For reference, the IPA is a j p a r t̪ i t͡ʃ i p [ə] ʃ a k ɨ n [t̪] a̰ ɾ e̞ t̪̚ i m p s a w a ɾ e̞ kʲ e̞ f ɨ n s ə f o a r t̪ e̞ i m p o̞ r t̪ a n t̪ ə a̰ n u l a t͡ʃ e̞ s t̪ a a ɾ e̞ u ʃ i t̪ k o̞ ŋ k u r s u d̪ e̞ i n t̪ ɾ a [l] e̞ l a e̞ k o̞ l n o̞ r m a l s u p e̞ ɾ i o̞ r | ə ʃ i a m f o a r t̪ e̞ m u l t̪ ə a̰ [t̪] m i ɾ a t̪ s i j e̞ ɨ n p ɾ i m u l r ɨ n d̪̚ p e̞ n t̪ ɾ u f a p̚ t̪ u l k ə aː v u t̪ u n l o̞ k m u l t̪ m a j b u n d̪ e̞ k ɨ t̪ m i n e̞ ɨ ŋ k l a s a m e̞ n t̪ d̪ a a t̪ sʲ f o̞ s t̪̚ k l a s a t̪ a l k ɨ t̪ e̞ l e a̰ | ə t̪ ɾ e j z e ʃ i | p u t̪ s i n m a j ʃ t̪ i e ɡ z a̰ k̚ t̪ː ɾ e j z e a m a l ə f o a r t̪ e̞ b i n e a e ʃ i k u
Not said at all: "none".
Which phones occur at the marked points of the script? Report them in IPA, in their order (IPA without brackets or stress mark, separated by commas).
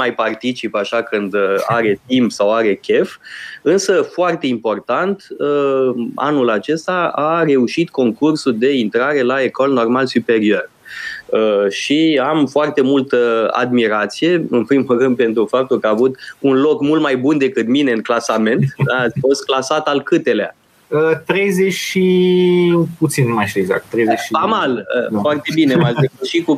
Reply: a, d̪, ɾ, d̪